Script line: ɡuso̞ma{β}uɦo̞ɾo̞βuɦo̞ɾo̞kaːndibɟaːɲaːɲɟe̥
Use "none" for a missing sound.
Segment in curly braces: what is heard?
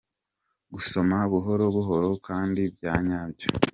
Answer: β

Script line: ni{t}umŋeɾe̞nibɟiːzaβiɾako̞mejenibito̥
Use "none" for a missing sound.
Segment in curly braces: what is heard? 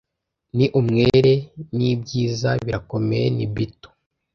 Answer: ʔ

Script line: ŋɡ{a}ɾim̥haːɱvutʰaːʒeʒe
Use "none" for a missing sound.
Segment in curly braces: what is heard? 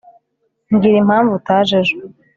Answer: i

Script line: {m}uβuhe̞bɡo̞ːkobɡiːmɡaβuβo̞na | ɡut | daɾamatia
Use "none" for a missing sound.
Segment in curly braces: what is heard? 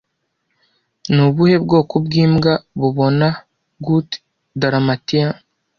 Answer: n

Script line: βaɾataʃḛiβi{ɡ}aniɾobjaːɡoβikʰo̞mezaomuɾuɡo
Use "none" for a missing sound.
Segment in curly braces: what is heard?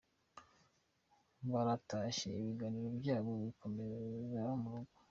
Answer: ɡ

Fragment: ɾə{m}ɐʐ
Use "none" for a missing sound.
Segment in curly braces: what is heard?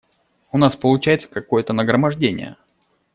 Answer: m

